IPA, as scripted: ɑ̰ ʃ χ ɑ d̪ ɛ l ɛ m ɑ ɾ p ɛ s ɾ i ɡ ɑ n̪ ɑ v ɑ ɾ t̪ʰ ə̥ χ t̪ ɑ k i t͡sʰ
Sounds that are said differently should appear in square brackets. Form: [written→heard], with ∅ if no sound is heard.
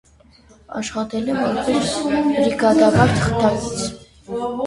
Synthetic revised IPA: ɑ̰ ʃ χ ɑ [d̪→t̪] ɛ l ɛ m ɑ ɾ p ɛ s ɾ i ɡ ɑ [n̪→d̪] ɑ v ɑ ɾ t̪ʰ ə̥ χ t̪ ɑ k i t͡sʰ